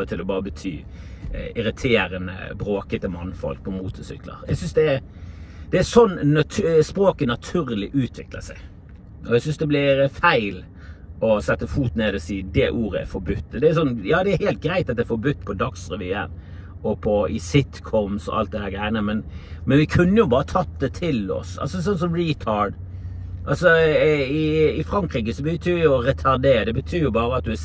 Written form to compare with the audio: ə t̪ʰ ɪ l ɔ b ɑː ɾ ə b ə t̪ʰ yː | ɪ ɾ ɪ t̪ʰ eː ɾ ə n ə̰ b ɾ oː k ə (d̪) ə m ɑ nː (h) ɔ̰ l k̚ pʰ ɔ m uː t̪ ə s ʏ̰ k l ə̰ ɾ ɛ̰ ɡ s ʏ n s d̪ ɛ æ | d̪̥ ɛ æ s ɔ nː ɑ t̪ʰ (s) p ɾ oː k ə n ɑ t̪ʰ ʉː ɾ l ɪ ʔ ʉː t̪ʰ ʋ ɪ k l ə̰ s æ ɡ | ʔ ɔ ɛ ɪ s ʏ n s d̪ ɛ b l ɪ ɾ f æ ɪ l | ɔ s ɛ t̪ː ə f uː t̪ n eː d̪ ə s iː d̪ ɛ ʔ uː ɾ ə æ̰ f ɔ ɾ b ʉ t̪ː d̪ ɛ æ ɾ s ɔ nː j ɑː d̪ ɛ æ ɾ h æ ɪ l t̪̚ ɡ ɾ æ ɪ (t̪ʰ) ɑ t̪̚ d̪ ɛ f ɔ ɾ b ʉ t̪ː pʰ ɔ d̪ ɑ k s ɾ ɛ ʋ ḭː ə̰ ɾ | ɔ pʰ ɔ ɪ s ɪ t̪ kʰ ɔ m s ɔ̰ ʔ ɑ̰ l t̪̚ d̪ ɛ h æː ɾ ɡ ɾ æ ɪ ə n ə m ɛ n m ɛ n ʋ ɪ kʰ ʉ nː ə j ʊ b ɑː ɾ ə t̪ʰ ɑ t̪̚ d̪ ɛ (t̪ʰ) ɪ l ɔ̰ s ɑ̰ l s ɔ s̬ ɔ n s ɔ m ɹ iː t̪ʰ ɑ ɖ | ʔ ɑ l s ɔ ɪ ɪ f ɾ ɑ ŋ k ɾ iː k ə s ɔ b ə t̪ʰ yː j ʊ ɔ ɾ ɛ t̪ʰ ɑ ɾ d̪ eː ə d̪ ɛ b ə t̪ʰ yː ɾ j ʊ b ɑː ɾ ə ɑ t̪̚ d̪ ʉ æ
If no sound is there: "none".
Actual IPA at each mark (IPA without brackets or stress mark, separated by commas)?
t̪, f, s, t̪, t̪ʰ